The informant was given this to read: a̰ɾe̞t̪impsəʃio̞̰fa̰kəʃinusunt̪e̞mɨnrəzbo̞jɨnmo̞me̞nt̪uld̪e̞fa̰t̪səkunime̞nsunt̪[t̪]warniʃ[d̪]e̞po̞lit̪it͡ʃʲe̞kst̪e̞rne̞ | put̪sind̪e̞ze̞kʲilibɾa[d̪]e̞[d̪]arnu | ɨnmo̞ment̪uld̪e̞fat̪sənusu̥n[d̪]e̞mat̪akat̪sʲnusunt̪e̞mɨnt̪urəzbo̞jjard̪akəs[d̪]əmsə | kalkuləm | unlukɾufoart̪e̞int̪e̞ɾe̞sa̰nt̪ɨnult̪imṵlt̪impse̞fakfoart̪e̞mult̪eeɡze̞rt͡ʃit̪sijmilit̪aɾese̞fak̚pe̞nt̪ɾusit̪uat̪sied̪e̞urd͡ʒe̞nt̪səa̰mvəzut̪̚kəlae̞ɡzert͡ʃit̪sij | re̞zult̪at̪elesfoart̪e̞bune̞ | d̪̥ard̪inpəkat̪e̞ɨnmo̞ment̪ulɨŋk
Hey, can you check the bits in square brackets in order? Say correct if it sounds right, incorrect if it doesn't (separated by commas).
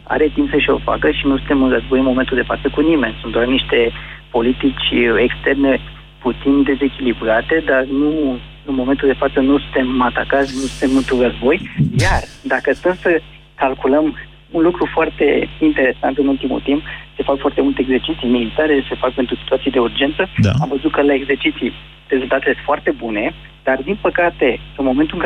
incorrect, incorrect, incorrect, correct, incorrect, incorrect